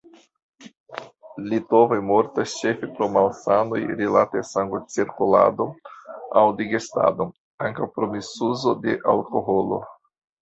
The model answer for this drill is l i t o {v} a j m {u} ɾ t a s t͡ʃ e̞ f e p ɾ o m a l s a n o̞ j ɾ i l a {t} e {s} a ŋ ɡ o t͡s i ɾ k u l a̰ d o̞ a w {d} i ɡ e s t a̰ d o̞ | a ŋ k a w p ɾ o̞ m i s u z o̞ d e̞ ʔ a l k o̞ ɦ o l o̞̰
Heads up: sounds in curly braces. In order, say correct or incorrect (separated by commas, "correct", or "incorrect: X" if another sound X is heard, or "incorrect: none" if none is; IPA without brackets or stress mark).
correct, incorrect: o, correct, correct, correct